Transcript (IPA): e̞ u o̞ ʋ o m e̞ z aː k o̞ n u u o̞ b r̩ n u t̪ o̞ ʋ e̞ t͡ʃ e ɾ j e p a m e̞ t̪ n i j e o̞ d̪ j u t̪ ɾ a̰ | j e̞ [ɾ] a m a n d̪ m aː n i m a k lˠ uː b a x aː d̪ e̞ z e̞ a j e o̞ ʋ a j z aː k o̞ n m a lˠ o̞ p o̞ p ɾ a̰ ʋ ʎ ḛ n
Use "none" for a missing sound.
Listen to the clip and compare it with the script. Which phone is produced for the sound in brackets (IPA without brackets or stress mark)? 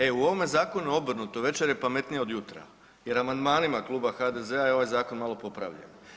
ɾ